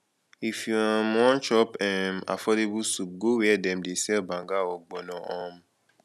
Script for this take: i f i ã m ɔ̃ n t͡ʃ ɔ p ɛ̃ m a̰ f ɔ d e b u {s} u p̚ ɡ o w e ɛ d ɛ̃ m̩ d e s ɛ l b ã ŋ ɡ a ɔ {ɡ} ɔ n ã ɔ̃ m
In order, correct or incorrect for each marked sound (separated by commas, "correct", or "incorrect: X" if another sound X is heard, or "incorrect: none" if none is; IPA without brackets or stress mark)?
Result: correct, incorrect: ɡ͡b